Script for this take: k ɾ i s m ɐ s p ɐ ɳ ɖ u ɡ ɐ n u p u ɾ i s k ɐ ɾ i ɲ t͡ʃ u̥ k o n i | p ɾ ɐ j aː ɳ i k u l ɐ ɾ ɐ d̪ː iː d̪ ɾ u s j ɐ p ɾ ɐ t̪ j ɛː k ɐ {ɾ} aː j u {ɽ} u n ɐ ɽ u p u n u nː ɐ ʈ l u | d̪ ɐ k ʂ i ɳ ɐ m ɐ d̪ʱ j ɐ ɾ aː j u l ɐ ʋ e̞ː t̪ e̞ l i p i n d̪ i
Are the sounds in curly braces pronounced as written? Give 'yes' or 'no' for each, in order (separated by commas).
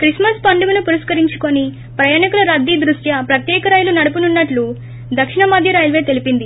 yes, no